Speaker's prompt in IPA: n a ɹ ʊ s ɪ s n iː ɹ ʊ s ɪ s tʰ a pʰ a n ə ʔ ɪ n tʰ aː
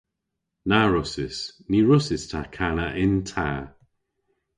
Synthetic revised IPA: n a ɹ ʊ s ɪ s n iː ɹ ʊ s ɪ s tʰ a kʰ a n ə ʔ ɪ n tʰ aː

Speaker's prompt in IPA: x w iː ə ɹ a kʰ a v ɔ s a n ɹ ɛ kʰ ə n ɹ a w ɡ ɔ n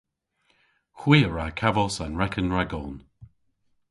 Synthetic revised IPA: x w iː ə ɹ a kʰ a v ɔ s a n ɹ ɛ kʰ ə n ɹ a ɡ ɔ n

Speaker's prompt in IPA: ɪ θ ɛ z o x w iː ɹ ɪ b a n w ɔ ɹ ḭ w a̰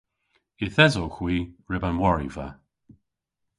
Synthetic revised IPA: ɪ θ ɛ z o x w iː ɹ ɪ b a n w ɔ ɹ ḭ v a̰

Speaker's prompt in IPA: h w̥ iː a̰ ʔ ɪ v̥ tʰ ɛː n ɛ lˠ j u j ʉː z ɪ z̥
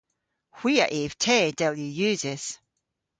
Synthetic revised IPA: h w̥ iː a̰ ʔ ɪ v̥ tʰ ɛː d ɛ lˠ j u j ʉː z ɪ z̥

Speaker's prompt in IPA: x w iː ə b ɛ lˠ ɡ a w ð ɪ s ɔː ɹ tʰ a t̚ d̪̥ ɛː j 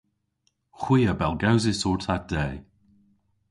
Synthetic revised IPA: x w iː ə b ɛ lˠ ɡ a w z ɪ s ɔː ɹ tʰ a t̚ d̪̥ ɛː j

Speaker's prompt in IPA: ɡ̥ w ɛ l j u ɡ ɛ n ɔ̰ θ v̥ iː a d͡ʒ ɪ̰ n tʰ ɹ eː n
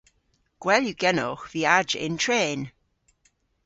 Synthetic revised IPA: ɡ̥ w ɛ l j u ɡ ɛ n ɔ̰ x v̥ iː a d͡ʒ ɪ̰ n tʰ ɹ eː n

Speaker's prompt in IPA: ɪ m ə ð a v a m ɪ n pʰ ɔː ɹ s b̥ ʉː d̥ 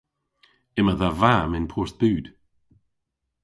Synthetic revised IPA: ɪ m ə ð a v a m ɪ n pʰ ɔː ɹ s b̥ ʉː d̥

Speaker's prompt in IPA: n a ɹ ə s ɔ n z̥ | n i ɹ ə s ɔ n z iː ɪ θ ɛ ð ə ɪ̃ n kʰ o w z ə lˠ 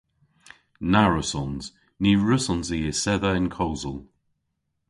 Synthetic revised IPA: n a ɹ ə s ɔ n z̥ | n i ɹ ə s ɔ n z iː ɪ s ɛ ð ə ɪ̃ n kʰ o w z ə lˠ

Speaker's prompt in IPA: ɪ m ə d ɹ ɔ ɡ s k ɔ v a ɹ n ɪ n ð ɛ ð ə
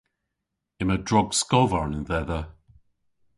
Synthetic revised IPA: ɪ m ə d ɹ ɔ ɡ s k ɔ v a ɹ n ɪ n ð ɛ ð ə

